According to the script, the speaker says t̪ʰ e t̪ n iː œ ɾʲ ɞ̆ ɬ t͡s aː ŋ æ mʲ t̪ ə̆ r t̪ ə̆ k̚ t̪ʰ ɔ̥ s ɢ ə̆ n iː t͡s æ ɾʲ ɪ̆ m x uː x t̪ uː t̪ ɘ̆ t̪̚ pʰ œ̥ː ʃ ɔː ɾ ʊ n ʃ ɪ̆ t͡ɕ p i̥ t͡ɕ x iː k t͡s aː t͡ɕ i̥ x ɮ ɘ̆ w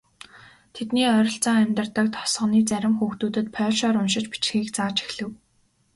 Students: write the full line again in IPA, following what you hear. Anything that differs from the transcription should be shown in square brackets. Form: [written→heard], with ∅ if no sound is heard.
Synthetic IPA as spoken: t̪ʰ e t̪ n iː œ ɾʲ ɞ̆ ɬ t͡s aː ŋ æ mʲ t̪ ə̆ r t̪ ə̆ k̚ t̪ʰ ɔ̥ s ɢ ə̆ n iː t͡s æ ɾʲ ɪ̆ m x uː x t̪ uː t̪ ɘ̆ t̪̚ pʰ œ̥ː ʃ ɔː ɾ ʊ n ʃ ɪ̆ t͡ɕ p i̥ t͡ɕ x iː k t͡s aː t͡ɕ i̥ x ɮ ɘ̆ w